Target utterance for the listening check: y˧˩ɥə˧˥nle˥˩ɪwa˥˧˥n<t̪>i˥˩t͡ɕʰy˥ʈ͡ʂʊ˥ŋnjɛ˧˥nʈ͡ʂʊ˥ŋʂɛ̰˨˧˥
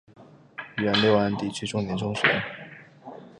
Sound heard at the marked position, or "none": t̪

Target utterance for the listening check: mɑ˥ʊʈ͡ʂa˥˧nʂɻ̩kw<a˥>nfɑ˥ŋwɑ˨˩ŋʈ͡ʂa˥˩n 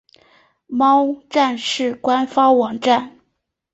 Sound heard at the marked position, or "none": a˥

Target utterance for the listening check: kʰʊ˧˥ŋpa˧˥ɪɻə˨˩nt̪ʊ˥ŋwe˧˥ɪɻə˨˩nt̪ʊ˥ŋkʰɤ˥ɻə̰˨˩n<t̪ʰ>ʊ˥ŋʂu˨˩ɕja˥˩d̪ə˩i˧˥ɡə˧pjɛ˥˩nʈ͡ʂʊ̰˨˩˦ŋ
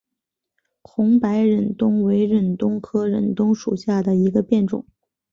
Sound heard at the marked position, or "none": t̪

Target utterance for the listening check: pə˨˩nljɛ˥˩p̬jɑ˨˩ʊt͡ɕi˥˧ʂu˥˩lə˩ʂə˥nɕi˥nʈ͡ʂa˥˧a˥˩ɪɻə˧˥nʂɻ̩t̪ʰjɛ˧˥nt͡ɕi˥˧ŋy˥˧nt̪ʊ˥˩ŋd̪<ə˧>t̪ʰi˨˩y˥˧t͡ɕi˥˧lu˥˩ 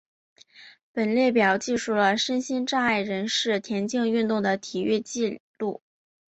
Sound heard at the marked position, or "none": ə˩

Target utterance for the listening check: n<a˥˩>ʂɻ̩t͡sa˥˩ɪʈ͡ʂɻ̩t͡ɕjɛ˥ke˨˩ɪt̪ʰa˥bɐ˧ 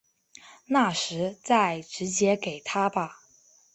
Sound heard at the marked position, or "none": a˥˩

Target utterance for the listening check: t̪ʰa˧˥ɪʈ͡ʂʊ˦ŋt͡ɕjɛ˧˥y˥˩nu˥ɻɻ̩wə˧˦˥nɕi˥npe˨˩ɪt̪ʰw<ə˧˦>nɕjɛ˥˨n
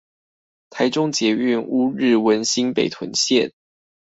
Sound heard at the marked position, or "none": ə˧˦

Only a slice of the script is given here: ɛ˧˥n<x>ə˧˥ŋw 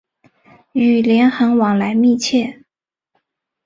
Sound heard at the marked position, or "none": x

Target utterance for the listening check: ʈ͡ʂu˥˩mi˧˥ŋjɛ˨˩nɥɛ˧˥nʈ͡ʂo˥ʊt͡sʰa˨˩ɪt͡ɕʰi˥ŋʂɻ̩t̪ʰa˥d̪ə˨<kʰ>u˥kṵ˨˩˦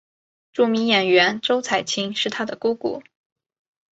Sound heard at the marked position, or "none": k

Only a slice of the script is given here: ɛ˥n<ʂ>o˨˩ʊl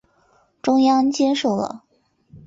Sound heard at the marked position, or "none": ʂ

